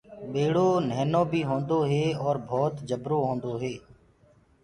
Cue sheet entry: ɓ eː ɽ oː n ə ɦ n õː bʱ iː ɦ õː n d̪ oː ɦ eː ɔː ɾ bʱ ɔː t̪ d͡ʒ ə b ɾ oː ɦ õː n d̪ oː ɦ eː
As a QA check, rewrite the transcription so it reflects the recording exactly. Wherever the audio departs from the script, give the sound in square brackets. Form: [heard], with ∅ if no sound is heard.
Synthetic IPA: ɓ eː ɽ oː n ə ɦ n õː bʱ iː ɦ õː n d̪ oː ɦ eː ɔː ɾ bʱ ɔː t̪ d͡ʒ ə b ɾ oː ɦ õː n d̪ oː ɦ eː